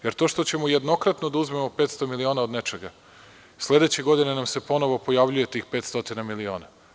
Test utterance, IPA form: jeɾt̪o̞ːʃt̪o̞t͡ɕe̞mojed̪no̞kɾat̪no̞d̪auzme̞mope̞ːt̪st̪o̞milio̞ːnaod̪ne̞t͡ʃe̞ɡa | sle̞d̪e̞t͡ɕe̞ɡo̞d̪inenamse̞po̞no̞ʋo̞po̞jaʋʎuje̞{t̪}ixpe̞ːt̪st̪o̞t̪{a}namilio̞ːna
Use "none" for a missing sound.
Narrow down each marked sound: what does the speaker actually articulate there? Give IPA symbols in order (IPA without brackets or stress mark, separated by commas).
t̪, i